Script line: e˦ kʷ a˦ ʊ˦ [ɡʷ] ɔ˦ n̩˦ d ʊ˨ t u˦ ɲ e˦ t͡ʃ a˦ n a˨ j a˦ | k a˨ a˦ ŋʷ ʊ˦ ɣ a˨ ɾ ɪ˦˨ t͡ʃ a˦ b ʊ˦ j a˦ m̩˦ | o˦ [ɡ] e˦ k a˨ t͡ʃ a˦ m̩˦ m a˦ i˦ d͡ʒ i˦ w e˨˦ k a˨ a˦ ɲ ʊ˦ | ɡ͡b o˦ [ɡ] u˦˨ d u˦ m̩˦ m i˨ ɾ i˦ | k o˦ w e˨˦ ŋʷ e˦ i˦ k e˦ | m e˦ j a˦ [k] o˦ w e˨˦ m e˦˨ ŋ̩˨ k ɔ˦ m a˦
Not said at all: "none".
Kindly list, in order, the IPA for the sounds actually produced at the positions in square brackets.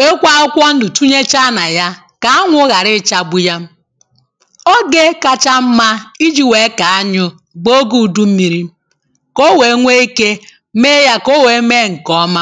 kʷ, ɡ, ɡ, k

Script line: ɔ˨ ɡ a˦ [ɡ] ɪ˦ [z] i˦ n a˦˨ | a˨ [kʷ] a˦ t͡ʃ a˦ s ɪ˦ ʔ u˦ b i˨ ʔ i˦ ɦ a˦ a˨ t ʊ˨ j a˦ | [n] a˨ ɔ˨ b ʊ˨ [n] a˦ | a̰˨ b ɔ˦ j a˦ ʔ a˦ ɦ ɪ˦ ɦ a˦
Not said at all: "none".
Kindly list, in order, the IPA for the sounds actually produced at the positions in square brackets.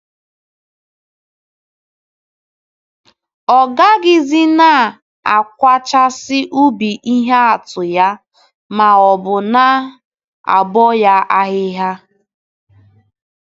ɡ, z, kʷ, m, n

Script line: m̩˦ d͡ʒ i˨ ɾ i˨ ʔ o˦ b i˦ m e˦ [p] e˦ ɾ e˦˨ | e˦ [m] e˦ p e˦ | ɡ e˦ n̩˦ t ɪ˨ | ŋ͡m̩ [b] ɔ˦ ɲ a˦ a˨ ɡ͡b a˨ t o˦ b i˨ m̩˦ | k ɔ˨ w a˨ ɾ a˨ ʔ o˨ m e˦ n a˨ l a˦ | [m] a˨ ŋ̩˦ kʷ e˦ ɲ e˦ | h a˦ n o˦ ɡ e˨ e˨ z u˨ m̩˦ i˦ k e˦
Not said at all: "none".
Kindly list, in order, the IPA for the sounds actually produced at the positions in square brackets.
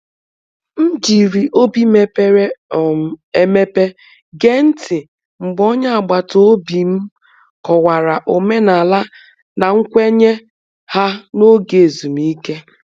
p, m, ɡ͡b, n

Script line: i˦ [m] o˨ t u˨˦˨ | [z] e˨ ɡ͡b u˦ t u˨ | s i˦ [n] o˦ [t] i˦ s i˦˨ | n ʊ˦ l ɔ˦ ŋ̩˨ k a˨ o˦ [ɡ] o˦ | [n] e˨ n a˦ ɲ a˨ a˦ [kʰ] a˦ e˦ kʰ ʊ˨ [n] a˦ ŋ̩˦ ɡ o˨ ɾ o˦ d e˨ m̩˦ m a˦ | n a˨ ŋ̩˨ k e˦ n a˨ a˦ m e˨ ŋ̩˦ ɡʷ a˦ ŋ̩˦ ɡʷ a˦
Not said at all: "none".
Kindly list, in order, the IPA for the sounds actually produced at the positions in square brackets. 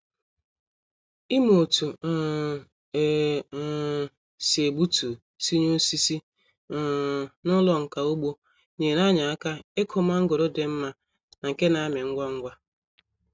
m, s, ɲ, s, ɡ͡b, ɲ, k, m

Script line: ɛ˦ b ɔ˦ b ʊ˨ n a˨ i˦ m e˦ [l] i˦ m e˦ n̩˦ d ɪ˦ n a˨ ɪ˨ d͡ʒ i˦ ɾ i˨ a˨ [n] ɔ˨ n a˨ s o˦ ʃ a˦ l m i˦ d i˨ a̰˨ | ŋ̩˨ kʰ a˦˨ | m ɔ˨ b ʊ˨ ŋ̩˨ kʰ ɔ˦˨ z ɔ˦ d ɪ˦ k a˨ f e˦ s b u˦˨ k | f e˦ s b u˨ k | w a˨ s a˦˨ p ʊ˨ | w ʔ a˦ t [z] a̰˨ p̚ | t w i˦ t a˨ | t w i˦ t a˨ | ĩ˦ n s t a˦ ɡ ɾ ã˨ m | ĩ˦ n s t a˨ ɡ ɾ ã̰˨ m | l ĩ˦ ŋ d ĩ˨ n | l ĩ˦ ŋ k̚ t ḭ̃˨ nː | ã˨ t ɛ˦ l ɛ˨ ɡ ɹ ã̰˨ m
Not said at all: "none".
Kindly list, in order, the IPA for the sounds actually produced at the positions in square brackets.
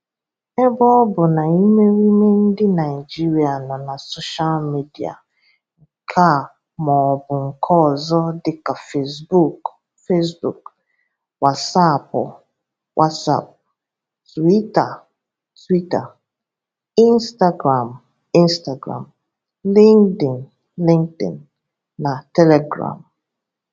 ɾ, n, s

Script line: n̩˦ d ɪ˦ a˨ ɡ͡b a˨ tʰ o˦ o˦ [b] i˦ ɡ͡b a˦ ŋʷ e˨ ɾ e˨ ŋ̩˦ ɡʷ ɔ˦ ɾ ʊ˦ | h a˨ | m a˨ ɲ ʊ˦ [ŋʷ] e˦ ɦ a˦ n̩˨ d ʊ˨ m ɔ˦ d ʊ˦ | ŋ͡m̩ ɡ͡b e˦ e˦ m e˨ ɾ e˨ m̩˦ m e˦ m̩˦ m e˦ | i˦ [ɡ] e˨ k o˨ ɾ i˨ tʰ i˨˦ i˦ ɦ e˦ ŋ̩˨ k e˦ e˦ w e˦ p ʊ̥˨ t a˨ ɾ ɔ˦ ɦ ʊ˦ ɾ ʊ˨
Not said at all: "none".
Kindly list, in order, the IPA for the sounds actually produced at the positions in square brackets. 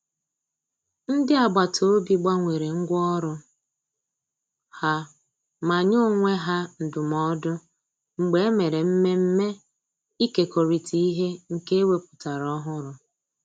b, ŋʷ, k

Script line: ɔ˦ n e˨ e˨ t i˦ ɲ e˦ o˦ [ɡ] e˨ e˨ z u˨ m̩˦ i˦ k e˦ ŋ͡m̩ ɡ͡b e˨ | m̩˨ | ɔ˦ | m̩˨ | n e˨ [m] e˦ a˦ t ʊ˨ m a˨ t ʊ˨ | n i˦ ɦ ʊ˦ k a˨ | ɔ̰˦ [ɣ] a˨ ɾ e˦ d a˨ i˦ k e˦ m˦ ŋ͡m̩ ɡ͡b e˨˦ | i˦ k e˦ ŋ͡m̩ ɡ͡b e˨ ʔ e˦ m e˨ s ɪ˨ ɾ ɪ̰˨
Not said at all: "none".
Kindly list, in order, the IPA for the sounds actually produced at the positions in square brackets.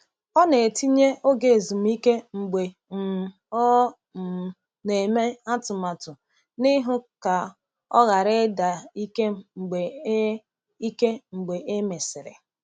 ɡ, m, ɣ

